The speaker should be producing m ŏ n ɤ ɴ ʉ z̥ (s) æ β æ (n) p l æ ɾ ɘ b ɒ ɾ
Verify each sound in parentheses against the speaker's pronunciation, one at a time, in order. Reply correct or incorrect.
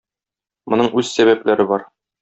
correct, incorrect

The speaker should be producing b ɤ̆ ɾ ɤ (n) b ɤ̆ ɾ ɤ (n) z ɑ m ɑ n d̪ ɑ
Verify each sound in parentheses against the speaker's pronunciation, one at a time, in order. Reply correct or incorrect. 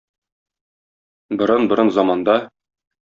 correct, correct

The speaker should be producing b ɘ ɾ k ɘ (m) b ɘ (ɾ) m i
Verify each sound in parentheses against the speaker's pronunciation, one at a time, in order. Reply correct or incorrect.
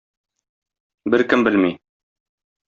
correct, incorrect

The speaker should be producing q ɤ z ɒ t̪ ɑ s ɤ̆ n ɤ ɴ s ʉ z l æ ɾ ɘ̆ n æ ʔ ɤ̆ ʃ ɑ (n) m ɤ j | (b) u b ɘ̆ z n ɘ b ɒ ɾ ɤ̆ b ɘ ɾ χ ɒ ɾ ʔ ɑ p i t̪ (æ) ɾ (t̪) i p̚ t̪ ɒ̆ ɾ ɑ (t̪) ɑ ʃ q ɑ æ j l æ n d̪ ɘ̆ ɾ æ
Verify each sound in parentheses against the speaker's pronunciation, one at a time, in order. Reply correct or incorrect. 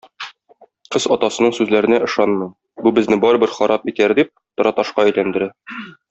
correct, correct, correct, incorrect, correct

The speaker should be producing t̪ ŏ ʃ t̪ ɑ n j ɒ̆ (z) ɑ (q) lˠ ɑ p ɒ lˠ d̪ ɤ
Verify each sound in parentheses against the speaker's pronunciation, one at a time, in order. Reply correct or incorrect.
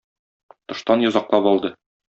correct, correct

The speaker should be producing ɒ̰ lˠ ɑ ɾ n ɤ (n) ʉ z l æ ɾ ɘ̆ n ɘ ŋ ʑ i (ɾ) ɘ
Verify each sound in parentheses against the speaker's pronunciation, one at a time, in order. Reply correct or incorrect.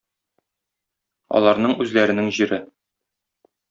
incorrect, correct

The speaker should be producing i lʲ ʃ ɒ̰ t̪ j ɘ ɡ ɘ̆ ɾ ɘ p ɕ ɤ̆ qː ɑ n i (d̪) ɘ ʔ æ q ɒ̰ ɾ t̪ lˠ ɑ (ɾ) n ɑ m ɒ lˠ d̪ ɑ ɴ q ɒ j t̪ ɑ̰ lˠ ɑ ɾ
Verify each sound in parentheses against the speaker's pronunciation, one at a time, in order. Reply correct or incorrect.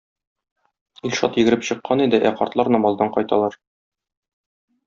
correct, correct

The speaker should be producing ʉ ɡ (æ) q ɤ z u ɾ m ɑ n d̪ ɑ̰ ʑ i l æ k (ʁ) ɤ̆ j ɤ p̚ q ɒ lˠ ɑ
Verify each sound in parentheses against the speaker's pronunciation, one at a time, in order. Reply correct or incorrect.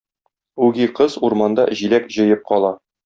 incorrect, incorrect

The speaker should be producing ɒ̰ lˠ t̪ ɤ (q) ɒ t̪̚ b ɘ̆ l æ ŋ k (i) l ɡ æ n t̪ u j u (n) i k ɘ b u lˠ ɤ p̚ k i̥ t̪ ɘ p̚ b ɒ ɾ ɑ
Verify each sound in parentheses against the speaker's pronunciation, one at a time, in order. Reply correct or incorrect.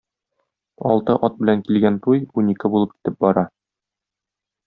incorrect, correct, correct

